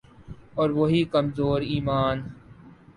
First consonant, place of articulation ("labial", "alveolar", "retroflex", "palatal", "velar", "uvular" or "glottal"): alveolar